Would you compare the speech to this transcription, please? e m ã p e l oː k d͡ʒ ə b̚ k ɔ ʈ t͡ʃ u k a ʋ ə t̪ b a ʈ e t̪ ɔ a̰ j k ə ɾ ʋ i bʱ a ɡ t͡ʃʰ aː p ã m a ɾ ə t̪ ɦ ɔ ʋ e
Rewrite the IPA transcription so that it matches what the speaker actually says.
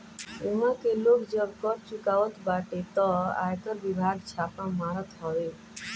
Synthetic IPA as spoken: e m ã k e l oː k d͡ʒ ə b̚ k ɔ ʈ t͡ʃ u k a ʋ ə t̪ b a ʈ e t̪ ɔ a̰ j k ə ɾ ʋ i bʱ a ɡ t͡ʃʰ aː p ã m a ɾ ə t̪ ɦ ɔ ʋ e